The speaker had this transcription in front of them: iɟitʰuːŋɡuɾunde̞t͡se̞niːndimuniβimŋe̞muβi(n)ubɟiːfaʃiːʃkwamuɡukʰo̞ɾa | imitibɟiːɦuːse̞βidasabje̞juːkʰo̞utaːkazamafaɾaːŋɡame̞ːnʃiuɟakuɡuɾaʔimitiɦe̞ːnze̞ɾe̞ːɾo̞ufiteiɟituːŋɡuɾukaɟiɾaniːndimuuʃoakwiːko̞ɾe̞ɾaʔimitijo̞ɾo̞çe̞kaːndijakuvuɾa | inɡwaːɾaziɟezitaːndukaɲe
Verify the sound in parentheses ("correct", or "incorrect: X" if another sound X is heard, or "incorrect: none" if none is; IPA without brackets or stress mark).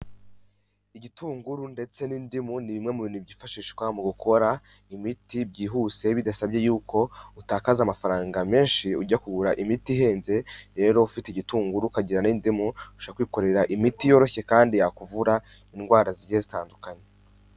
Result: correct